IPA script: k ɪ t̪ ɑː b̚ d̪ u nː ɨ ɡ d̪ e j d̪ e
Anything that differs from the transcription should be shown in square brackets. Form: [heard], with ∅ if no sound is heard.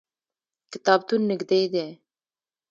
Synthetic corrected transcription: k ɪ t̪ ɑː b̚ [t̪] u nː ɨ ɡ d̪ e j d̪ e